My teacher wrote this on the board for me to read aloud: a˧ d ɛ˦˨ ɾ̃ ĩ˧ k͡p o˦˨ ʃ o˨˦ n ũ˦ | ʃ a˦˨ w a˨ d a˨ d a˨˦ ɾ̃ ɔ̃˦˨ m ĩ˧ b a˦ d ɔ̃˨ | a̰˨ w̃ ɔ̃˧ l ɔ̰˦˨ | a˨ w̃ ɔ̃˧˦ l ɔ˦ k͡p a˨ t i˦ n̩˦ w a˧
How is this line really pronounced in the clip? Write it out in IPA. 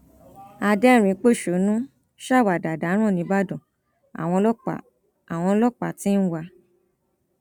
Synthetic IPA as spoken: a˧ d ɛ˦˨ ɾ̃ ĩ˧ k͡p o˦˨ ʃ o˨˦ n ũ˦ | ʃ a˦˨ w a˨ d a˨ d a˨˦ ɾ̃ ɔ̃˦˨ n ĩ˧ b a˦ d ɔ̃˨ | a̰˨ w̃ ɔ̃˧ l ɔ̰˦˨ | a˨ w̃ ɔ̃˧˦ l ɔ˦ k͡p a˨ t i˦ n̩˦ w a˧